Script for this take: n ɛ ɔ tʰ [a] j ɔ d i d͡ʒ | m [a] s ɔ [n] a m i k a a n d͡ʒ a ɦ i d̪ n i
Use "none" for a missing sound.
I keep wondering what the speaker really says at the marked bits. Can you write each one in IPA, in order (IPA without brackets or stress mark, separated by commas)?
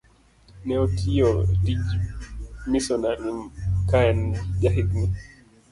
i, i, n